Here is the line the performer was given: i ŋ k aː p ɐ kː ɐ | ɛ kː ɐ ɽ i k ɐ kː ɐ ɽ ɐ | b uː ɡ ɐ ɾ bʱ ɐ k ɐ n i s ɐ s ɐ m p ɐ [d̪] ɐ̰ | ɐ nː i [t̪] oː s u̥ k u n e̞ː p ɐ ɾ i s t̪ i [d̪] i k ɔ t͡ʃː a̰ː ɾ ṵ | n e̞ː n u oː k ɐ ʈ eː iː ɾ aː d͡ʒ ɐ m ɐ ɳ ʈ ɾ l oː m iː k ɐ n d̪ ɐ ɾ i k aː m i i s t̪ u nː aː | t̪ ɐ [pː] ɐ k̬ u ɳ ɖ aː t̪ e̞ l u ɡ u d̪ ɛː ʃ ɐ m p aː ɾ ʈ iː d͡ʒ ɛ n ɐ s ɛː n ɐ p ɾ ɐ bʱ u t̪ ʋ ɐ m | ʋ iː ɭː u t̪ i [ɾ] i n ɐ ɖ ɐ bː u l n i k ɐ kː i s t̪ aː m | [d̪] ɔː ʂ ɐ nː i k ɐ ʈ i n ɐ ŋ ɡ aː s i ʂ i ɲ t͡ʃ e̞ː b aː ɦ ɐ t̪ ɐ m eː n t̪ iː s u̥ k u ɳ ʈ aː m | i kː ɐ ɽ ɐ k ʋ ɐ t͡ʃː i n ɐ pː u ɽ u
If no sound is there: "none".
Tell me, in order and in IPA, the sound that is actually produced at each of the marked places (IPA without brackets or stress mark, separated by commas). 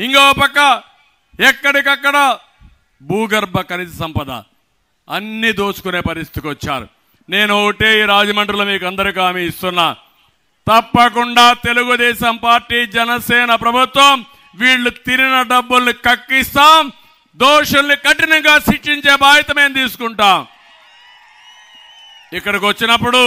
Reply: d̪, d̪, t̪, pː, ɾ, d̪